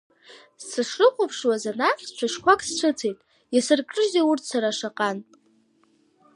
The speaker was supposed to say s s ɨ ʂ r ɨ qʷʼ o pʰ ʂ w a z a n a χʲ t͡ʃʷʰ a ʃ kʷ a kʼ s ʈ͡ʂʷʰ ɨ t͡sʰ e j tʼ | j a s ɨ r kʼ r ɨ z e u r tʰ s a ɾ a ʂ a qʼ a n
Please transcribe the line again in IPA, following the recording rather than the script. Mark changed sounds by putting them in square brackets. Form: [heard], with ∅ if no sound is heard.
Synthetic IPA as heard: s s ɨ ʂ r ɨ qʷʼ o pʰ ʂ w a z a n a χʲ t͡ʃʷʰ a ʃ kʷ a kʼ s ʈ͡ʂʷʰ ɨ t͡sʰ e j tʼ | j a s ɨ r kʼ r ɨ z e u r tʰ s a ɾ a ʂ a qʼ a n